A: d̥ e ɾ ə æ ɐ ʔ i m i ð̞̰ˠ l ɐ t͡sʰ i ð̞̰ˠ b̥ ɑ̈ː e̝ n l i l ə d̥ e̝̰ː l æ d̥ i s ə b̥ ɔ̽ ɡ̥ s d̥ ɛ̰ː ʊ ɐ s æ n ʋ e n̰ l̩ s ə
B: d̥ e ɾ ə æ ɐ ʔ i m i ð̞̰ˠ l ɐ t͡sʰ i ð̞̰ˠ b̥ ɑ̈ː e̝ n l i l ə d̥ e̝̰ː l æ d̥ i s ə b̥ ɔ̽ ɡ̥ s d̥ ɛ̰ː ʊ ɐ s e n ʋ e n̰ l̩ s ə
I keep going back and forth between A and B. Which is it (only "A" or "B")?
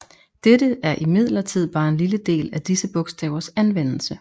A